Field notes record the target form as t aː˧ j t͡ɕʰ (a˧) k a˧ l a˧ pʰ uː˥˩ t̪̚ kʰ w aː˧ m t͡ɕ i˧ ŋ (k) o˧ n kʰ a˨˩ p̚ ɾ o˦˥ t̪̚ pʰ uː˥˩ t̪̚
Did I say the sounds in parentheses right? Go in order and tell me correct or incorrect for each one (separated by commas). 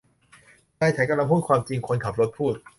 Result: incorrect, incorrect